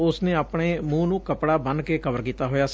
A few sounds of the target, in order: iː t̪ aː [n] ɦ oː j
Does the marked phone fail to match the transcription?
yes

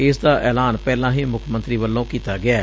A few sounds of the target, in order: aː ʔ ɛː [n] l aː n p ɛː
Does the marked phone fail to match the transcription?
yes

